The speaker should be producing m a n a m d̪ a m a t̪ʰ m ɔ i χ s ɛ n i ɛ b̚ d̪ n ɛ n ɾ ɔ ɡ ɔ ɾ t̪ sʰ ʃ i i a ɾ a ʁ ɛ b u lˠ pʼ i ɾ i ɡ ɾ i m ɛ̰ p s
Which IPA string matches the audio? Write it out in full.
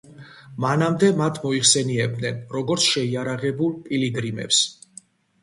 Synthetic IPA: m a n a m d̪ ɛ m a t̪ʰ m ɔ i χ s ɛ n i ɛ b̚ d̪ n ɛ n ɾ ɔ ɡ ɔ ɾ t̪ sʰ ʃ ɛ i a ɾ a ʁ ɛ b u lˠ pʼ i l i ɡ ɾ i m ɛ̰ p s